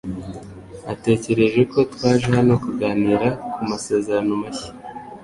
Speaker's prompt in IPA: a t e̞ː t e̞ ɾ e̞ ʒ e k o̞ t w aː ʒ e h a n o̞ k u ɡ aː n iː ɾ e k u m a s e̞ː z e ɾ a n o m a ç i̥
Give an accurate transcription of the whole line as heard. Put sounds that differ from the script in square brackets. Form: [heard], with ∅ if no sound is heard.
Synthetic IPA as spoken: a t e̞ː [c] e̞ ɾ e̞ ʒ e k o̞ t w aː ʒ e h a n o̞ k u ɡ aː n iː ɾ [a] k u m a s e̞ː z e ɾ a n o m a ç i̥